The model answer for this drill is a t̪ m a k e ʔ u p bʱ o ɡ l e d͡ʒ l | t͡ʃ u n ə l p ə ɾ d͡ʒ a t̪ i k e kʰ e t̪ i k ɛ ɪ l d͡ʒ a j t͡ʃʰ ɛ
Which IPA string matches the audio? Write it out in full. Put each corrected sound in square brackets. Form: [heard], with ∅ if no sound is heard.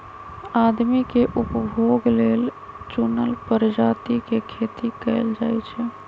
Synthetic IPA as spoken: a [d̪] m [i] k e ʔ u p bʱ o ɡ l e [∅] l | t͡ʃ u n ə l p ə ɾ d͡ʒ a t̪ i k e kʰ e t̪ i k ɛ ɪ l d͡ʒ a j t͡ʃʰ ɛ